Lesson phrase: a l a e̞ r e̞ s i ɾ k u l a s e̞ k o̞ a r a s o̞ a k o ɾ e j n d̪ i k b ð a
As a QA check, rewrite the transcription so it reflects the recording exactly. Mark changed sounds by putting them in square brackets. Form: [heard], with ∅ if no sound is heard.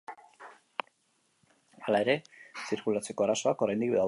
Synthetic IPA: a l a e̞ [ɾ] e̞ s i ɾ k u l a [t͡s] e̞ k o̞ a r a s o̞ a k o ɾ [a] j n d̪ i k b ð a